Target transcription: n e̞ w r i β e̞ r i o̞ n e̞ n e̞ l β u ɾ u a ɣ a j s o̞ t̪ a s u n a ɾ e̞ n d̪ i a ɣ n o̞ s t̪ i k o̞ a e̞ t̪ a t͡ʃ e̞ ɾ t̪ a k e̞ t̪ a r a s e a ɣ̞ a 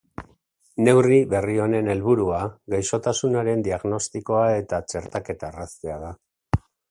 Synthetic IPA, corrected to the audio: n e̞ w r i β e̞ r i o̞ n e̞ n e̞ l β u ɾ u a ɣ a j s o̞ t̪ a s u n a ɾ e̞ n d̪ i a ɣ n o̞ s t̪ i k o̞ a e̞ t̪ a t͡ʃ e̞ ɾ t̪ a k e̞ t̪ a r a s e a ð̞ a